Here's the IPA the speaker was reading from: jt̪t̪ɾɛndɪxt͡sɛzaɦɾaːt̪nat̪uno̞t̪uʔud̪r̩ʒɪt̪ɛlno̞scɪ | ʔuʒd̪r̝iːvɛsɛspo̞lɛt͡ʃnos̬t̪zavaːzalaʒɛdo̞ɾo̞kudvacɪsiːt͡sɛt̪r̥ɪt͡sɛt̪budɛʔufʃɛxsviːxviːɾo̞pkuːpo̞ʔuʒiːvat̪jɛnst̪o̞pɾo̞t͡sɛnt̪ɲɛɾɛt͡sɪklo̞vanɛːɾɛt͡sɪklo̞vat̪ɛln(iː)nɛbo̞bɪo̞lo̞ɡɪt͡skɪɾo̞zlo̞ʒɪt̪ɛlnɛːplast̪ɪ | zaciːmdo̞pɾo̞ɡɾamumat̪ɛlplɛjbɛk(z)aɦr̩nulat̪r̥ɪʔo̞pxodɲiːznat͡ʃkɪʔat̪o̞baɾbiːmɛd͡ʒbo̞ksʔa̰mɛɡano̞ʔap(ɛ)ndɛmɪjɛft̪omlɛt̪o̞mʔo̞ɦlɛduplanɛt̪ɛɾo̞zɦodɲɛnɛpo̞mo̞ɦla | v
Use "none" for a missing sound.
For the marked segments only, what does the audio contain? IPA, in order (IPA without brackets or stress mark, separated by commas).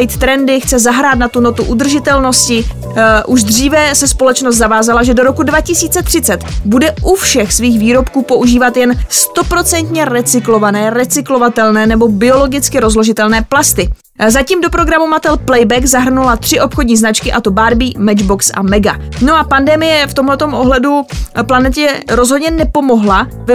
ɛː, z, a